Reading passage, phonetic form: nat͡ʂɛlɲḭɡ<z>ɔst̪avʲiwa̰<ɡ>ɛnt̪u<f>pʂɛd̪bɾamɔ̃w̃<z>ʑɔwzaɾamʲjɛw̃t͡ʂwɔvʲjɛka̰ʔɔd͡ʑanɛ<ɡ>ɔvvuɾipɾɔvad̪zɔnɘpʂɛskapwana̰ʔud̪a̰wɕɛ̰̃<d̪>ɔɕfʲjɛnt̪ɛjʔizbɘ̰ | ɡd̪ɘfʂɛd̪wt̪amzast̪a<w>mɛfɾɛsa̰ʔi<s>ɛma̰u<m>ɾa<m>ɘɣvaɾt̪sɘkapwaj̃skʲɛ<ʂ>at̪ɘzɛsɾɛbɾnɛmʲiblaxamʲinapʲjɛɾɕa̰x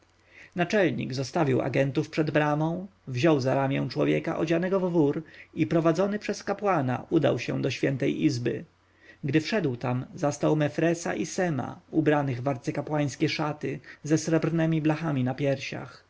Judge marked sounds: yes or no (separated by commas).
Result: yes, yes, yes, no, yes, yes, yes, yes, no, no, yes